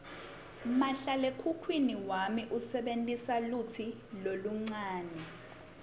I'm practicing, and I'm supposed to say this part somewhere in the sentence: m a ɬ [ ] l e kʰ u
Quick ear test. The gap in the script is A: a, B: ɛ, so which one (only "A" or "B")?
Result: A